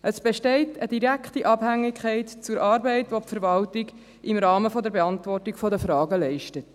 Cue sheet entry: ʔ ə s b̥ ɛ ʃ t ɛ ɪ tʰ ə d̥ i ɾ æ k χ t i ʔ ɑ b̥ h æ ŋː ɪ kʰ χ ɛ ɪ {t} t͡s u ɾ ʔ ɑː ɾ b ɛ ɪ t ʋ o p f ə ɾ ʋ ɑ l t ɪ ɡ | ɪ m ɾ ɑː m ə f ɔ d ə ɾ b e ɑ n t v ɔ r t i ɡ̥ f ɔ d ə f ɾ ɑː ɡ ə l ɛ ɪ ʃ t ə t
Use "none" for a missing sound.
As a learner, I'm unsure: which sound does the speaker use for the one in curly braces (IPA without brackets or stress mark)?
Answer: t